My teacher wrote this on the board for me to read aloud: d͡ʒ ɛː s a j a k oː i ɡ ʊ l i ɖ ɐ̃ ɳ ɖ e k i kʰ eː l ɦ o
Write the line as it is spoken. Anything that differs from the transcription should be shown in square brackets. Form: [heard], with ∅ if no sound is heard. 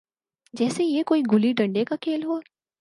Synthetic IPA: d͡ʒ ɛː s [e] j [e] k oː i ɡ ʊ l i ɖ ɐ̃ ɳ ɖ e k [a] kʰ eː l ɦ o